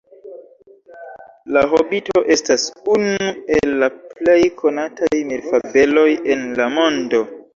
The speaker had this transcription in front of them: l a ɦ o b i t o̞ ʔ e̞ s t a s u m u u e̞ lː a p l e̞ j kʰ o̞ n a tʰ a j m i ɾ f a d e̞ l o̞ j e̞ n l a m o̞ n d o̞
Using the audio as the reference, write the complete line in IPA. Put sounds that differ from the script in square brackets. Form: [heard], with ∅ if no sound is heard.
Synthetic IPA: l a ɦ o b i t o̞ ʔ e̞ s t a s u [n] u u e̞ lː a p l e̞ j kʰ o̞ n a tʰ a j m i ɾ f a [b] e̞ l o̞ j e̞ n l a m o̞ n d o̞